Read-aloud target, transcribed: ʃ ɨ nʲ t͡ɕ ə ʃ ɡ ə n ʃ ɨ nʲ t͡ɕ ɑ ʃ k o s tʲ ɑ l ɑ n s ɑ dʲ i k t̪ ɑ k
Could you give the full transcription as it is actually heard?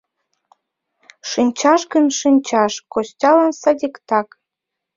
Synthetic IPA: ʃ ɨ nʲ t͡ɕ ɑ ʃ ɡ ə n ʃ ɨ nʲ t͡ɕ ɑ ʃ k o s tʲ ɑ l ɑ n s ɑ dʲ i k t̪ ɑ k